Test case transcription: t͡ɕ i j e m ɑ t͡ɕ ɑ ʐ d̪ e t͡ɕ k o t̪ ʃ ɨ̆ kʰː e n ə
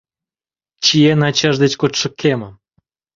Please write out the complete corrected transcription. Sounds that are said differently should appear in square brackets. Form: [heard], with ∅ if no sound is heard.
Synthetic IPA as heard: t͡ɕ i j e [n] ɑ t͡ɕ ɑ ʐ d̪ e t͡ɕ k o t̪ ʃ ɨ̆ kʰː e [m] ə